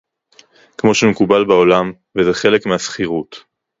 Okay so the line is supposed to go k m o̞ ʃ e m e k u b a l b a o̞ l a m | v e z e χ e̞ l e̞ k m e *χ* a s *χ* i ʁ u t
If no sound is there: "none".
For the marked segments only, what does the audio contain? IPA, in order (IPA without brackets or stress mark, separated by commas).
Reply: none, χ